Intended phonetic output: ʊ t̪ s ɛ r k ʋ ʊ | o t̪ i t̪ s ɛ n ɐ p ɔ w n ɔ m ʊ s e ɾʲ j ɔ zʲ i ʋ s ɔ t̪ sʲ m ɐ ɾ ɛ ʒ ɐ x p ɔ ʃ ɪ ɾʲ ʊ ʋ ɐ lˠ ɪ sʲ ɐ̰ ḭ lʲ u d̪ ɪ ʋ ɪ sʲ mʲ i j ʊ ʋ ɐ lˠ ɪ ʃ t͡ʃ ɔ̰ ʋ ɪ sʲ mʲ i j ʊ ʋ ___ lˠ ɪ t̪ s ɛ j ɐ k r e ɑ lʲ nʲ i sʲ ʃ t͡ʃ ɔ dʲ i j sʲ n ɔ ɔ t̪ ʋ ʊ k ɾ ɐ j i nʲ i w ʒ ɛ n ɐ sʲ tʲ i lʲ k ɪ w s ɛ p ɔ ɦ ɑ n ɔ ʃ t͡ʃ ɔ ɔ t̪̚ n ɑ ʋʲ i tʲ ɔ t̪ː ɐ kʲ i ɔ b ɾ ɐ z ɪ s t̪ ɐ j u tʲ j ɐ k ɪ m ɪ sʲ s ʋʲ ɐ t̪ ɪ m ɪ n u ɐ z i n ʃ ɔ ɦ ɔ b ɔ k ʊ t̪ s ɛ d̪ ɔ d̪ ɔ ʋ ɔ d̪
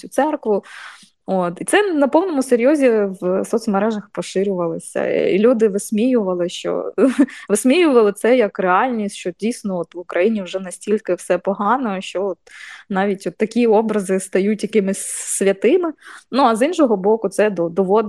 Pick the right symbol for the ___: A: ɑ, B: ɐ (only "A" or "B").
B